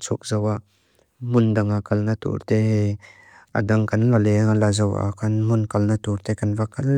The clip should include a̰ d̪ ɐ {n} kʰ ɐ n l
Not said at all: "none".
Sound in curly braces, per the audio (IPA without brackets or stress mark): ŋ